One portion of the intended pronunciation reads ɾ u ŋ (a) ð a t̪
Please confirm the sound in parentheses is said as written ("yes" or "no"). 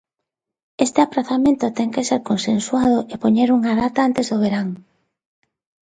yes